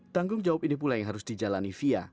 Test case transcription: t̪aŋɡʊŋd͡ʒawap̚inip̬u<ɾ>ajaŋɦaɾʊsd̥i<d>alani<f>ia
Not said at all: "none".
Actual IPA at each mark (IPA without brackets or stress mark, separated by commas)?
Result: l, d͡ʒ, f